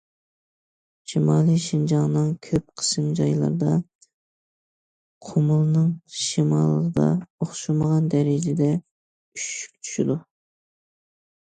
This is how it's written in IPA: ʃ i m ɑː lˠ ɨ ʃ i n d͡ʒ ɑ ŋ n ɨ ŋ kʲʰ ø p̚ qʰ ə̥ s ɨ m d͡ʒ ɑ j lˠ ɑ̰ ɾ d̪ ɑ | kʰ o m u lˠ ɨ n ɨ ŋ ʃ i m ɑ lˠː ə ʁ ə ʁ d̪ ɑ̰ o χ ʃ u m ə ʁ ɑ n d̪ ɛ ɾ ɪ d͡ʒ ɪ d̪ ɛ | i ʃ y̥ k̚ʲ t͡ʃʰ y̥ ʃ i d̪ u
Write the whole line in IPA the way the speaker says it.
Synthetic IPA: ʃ i m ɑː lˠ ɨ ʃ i n d͡ʒ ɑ ŋ n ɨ ŋ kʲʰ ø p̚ qʰ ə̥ s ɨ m d͡ʒ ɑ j lˠ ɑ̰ ɾ d̪ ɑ | qʰ o m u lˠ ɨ n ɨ ŋ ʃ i m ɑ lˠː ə ʁ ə d̪ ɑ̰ o χ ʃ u m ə ʁ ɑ n d̪ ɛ ɾ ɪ d͡ʒ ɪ d̪ ɛ | y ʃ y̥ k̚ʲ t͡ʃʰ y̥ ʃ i d̪ u